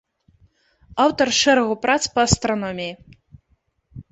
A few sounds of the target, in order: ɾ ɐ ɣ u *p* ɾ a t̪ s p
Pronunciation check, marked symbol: correct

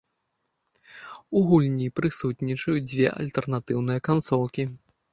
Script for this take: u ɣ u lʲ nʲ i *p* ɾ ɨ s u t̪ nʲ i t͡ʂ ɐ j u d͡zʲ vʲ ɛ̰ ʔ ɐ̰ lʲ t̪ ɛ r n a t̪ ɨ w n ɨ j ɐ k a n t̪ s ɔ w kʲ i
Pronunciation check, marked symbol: correct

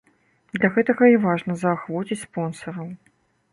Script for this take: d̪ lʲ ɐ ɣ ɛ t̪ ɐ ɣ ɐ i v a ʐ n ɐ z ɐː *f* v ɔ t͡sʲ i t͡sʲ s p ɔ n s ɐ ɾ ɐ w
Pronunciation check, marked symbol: incorrect: x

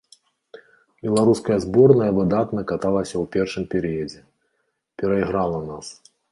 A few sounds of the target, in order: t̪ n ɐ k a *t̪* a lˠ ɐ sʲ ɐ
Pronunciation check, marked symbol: correct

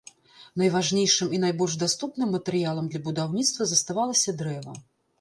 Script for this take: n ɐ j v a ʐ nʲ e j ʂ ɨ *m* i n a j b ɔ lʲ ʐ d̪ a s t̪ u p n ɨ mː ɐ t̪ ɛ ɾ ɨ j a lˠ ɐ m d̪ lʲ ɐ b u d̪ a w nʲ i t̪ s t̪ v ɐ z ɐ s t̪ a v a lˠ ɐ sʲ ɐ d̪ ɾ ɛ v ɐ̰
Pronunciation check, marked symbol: correct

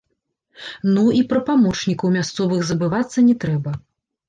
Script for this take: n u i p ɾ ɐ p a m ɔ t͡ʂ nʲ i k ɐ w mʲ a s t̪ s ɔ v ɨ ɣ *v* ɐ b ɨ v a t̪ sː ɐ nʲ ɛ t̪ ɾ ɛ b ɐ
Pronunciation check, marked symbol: incorrect: z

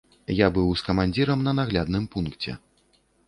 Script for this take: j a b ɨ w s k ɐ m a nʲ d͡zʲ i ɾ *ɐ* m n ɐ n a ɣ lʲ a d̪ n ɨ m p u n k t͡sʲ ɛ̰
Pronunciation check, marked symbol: correct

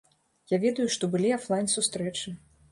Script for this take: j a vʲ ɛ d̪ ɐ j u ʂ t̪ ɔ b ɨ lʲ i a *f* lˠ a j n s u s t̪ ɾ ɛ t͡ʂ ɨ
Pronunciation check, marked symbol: correct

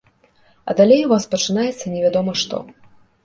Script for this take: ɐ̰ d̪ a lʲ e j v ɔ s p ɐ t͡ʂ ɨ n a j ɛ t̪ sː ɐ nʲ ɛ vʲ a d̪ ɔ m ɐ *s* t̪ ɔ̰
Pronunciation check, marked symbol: incorrect: ʂ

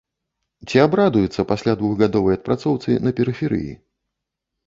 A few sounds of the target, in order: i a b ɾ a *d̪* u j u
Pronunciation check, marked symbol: correct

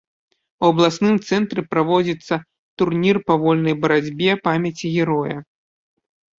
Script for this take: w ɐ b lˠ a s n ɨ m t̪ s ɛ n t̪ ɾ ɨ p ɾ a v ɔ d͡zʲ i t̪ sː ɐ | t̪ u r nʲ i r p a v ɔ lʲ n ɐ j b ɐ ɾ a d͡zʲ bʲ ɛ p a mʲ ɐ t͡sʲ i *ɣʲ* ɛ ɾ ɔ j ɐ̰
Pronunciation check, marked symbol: correct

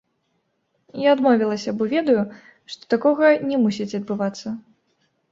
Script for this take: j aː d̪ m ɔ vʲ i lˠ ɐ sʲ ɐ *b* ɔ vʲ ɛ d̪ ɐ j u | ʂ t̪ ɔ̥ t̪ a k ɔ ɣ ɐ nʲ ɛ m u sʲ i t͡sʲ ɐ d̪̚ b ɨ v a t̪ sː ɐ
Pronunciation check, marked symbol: correct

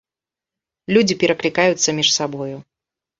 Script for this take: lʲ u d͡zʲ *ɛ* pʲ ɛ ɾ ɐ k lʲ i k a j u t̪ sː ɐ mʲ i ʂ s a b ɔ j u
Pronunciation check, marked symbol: incorrect: i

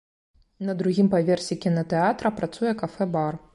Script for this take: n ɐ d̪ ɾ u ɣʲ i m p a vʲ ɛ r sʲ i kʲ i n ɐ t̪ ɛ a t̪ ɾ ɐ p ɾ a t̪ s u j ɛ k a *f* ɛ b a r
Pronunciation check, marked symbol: correct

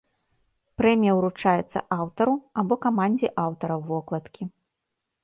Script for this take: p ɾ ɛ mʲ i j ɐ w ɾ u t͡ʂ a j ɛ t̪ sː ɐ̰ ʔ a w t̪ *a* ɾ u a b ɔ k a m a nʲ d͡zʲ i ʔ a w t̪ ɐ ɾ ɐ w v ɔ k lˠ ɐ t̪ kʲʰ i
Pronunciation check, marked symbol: incorrect: ɐ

